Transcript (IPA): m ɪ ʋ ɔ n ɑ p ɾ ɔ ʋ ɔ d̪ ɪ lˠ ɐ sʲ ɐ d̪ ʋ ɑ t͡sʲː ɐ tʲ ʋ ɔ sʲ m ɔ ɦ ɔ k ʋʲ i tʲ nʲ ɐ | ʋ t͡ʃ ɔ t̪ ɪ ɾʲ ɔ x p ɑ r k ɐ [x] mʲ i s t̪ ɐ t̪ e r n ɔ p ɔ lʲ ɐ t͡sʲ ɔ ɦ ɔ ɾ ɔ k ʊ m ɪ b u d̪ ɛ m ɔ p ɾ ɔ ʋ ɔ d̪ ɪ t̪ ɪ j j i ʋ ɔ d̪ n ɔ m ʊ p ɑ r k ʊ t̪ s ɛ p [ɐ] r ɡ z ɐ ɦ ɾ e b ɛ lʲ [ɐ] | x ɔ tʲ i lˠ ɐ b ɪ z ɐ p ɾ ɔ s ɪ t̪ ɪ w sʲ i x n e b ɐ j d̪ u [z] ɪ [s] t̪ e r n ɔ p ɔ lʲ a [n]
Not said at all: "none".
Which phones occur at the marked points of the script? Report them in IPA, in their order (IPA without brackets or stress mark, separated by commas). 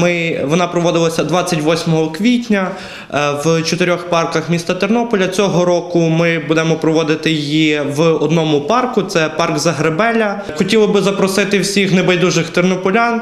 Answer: x, ɑ, ɐ, ʒ, x, n